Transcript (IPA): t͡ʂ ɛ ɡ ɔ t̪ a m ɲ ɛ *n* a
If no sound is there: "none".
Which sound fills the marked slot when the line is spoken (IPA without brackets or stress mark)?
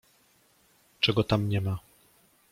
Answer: m